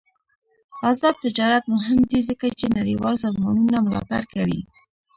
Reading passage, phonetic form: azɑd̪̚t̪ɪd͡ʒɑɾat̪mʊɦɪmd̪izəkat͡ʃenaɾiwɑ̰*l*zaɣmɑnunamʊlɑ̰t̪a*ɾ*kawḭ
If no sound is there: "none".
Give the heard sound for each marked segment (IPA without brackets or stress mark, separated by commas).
l, ɾ